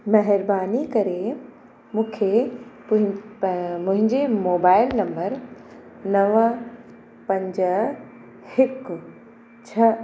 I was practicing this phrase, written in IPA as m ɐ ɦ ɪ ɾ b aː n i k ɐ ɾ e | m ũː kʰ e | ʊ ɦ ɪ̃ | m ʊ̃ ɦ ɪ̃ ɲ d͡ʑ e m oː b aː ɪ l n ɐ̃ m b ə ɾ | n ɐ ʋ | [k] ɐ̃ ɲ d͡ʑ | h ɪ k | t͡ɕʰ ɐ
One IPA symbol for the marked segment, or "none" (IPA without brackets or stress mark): p